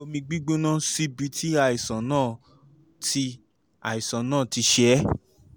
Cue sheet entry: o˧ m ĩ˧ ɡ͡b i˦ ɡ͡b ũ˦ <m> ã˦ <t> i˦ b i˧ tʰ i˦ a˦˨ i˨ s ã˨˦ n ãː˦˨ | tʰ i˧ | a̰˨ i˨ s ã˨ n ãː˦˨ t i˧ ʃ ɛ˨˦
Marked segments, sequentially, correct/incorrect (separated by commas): incorrect, incorrect